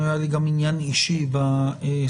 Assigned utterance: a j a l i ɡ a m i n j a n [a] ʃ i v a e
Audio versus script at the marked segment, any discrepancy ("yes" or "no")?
yes